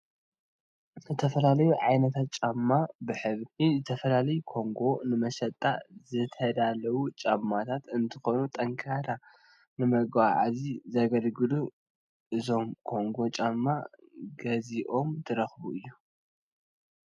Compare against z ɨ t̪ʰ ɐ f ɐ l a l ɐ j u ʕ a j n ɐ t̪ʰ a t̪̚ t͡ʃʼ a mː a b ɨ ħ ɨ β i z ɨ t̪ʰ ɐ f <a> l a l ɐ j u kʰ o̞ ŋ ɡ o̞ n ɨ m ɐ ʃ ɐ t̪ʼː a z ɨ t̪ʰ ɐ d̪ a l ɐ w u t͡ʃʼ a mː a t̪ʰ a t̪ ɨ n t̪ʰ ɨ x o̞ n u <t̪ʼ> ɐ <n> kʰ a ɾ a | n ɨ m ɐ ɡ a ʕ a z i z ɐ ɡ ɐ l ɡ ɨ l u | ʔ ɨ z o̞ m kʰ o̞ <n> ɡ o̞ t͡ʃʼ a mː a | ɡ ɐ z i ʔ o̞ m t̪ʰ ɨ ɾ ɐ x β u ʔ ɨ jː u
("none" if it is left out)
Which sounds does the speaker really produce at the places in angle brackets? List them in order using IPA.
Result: ɐ, t̪ʼ, ŋ, ŋ

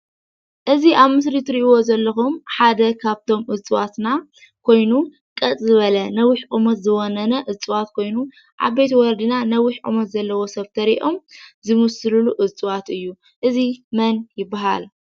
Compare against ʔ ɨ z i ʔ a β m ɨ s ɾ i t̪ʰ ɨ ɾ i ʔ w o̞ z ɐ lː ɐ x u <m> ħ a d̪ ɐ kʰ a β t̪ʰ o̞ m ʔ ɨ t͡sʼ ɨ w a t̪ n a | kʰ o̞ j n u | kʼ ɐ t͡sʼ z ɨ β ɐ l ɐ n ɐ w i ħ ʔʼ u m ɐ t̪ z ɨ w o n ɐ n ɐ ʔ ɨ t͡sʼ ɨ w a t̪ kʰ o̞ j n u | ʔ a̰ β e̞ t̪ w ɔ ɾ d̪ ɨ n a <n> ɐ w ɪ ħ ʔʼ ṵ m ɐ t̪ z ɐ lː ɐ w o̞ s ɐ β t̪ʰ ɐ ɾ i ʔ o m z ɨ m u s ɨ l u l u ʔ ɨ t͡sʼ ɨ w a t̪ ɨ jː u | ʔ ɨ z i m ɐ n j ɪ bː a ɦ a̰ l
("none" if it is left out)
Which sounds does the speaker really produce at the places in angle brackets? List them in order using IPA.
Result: m, n

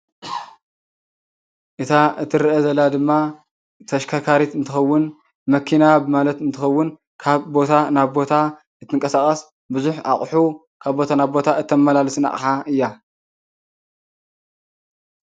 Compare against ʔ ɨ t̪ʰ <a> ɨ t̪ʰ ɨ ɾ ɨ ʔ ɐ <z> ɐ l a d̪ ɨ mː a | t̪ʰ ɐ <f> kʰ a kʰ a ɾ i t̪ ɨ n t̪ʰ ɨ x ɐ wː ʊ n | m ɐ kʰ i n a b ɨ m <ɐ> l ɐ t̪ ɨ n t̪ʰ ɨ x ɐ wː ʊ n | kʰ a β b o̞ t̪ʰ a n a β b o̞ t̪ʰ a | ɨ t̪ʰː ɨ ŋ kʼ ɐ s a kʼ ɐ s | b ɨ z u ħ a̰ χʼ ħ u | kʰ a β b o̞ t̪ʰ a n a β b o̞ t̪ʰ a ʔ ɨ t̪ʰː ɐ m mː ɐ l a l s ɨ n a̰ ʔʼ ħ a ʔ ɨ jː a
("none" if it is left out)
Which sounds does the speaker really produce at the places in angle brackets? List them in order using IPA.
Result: a, z, ʃ, a

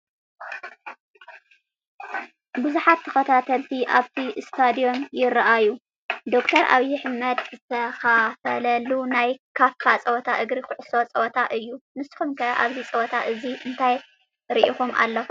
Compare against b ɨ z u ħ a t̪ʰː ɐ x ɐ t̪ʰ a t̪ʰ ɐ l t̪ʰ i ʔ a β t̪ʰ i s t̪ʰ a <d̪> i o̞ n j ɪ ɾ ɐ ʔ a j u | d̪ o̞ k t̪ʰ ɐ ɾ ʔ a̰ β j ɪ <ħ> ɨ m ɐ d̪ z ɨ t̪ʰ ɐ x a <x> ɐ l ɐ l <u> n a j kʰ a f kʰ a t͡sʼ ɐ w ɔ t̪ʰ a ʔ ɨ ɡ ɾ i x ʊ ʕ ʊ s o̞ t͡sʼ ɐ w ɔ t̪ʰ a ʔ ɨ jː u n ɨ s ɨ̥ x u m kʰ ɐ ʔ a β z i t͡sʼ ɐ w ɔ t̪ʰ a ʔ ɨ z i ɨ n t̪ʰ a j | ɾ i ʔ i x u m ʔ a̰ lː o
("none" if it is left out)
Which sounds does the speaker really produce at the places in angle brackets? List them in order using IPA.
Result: d̪, ħ, f, u

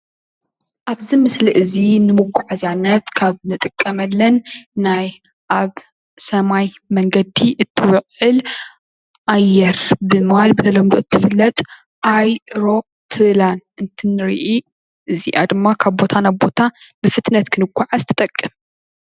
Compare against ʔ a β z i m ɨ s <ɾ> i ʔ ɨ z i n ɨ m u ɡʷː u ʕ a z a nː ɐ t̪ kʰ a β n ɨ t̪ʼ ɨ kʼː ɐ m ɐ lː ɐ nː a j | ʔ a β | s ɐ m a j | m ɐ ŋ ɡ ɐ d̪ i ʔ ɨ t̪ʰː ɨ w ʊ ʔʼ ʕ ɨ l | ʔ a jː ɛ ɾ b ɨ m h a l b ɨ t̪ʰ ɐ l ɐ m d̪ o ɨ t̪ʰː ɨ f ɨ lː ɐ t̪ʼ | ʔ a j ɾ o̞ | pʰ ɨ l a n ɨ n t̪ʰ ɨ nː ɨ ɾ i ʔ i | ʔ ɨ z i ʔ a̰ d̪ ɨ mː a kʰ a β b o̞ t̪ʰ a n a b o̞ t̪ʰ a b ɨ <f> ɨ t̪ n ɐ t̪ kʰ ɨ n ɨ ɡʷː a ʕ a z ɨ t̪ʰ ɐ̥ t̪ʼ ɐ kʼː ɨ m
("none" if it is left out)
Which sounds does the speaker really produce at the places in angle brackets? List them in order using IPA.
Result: l, f

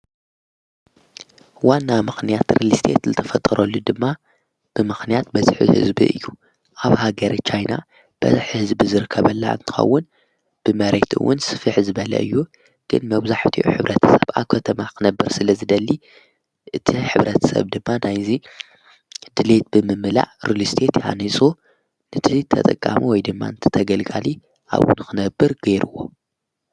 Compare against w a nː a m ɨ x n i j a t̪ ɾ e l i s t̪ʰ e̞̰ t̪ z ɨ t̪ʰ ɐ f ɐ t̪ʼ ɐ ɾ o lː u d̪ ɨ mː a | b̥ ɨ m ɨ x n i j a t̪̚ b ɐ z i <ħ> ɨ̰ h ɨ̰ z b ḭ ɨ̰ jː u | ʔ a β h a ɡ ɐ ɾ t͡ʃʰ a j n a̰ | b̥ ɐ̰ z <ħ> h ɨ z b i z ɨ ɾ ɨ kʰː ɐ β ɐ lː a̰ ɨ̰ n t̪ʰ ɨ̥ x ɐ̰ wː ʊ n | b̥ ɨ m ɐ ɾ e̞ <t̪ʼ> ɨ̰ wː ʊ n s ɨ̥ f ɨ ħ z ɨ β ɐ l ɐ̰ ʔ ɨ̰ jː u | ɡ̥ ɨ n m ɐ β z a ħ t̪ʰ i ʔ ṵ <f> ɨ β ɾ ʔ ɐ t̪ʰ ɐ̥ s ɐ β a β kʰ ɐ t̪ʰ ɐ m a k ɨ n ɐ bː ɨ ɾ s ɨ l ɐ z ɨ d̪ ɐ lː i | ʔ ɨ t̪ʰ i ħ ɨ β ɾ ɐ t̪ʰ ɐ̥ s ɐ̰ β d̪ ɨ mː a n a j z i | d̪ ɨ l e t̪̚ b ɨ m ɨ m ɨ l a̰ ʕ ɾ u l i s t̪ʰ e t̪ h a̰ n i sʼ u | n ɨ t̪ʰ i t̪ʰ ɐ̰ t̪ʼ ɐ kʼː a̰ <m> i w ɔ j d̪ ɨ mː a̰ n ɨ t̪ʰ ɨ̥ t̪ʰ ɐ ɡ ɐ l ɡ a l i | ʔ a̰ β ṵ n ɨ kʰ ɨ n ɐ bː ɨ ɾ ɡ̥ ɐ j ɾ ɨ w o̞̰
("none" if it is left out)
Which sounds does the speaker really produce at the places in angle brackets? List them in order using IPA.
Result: ħ, ħ, t̪, ħ, m

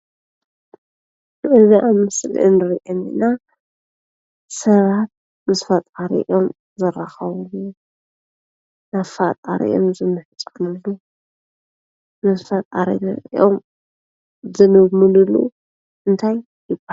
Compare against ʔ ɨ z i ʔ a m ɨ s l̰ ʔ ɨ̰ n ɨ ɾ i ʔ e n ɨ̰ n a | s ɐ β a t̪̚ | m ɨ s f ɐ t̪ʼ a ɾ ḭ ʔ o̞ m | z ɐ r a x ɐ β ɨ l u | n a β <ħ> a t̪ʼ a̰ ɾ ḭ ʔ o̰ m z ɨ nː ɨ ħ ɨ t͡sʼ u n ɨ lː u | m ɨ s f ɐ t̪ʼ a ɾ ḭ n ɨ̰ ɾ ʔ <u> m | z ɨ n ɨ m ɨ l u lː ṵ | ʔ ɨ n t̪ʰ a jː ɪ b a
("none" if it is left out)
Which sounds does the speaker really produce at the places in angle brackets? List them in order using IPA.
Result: f, o

